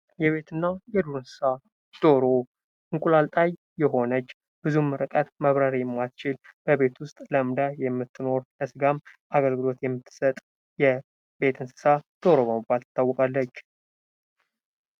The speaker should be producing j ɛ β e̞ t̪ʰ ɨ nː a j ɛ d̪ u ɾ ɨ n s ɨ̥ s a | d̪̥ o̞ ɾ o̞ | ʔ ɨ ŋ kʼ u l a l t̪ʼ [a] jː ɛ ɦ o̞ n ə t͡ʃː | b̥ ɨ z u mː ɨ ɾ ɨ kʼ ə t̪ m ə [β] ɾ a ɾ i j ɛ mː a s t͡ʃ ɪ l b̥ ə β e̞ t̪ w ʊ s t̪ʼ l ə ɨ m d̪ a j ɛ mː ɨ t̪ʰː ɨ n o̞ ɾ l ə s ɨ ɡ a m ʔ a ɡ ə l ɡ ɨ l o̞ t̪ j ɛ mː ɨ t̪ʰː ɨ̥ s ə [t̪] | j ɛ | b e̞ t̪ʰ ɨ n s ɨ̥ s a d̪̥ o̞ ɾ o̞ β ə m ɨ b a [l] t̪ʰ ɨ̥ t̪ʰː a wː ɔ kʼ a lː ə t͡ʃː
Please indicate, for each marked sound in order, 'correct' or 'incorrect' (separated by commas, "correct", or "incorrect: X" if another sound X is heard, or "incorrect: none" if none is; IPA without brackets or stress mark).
correct, correct, incorrect: t̪ʼ, correct